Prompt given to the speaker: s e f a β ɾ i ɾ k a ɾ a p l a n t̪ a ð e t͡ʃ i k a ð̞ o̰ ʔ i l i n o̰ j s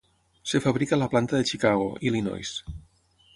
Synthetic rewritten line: s e f a β ɾ i k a l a p l a n t̪ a ð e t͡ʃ i k a ɣ̞ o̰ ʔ i l i n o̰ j s